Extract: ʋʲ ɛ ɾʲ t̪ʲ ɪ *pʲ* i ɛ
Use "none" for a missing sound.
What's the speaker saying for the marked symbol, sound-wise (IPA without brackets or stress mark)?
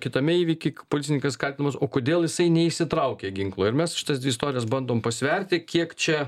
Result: kʲ